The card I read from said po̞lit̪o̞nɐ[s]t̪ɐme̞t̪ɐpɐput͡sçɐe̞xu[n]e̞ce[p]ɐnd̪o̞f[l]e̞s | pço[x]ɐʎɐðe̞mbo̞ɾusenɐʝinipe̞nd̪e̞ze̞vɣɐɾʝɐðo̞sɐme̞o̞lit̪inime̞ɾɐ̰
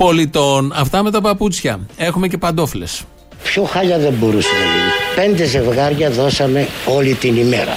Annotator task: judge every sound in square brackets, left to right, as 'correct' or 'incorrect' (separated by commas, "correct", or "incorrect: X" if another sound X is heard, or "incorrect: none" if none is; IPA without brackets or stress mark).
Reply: incorrect: f, incorrect: m, correct, correct, correct